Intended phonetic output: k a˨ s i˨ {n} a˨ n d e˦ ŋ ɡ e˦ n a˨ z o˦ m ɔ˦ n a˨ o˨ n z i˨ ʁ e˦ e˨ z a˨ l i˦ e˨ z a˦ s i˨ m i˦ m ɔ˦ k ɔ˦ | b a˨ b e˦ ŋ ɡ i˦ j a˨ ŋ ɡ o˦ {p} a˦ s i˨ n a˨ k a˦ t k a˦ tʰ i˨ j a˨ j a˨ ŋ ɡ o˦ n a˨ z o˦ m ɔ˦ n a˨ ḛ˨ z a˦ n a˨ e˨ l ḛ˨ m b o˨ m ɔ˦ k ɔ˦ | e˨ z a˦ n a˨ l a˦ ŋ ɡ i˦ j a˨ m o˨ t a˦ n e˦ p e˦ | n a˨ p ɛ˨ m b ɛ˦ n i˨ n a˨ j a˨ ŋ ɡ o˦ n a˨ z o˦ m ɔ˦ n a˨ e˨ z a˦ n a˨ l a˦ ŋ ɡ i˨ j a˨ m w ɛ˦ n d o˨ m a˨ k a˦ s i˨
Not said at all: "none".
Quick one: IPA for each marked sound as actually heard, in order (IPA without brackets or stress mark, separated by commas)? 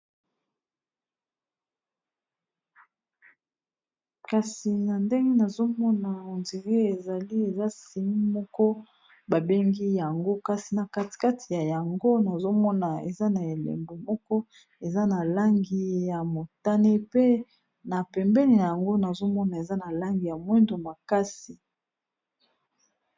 n, k